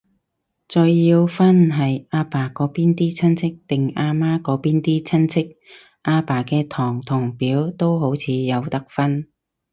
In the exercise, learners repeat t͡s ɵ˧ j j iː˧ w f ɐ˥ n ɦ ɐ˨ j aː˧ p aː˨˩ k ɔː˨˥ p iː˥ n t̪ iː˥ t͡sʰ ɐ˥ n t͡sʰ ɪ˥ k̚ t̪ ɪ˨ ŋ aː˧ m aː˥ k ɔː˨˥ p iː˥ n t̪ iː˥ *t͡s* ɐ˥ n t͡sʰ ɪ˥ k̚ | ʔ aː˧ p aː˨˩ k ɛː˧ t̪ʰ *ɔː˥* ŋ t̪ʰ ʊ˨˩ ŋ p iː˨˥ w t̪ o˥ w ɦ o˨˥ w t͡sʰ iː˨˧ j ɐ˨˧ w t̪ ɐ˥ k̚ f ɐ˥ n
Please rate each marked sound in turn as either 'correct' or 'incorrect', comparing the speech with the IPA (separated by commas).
incorrect, incorrect